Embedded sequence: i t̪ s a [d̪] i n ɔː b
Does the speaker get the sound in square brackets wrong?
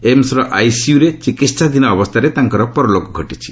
no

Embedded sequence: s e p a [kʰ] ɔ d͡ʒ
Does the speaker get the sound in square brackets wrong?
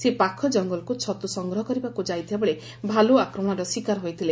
no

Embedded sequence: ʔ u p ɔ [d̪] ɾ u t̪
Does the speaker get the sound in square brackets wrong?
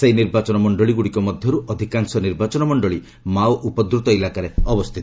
no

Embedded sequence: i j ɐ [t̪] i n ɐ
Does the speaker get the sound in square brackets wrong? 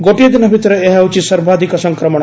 yes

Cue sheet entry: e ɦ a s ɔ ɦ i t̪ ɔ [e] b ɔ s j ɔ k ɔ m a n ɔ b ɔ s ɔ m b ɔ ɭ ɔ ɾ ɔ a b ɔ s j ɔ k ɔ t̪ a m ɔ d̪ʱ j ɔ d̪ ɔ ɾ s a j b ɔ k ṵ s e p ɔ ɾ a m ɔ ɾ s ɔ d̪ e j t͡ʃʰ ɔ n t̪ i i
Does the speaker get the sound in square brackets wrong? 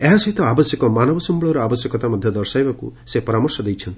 yes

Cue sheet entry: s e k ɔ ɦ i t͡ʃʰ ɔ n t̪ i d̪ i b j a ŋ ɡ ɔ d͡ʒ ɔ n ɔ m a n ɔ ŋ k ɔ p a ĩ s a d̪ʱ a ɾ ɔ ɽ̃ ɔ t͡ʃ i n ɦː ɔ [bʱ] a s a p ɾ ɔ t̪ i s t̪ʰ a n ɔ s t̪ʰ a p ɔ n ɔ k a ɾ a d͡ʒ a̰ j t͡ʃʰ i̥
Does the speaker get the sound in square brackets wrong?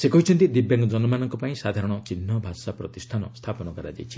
no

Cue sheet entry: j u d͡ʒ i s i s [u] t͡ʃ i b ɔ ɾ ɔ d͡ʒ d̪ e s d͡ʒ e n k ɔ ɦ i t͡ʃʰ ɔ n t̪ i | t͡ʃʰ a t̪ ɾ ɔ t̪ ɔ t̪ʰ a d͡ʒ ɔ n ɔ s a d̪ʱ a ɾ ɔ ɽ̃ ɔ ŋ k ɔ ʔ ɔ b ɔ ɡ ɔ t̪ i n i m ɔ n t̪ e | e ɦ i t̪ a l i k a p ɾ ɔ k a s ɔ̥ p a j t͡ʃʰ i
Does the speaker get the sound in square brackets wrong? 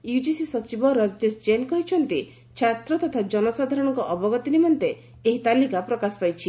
yes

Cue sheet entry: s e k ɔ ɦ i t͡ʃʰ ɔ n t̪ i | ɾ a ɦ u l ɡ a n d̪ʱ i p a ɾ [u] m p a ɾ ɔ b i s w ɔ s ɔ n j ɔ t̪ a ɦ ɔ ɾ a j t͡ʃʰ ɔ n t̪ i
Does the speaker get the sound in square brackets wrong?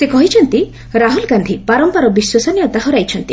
yes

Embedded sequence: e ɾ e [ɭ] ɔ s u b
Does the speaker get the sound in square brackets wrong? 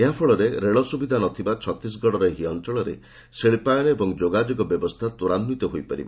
no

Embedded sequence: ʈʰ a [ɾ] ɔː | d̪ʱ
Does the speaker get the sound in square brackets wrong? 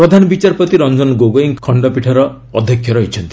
no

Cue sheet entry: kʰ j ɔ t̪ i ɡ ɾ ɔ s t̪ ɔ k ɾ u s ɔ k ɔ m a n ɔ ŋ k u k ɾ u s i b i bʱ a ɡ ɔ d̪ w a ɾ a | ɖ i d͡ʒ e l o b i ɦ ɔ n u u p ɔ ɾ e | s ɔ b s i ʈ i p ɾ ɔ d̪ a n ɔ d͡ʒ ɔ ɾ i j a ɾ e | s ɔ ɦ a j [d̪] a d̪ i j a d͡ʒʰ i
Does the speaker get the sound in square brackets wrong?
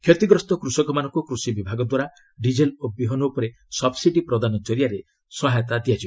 yes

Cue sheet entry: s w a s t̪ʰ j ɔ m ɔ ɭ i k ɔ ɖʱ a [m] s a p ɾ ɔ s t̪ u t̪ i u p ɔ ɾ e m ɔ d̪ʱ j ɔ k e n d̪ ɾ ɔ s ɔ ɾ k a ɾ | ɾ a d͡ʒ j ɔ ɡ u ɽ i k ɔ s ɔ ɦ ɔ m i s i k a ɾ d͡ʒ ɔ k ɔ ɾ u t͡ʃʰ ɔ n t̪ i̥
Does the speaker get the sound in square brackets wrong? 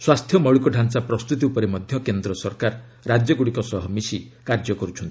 yes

